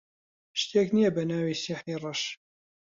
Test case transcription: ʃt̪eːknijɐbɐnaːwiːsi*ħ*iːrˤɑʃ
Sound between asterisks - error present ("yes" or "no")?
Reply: no